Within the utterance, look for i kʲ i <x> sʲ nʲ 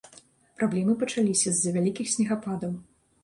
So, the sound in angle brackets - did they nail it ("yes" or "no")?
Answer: yes